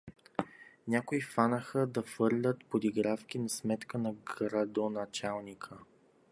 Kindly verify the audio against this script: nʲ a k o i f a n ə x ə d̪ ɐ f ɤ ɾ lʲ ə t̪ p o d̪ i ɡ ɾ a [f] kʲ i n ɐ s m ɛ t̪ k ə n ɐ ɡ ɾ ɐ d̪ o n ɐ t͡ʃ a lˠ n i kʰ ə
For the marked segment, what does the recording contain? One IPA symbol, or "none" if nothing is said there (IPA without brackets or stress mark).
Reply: f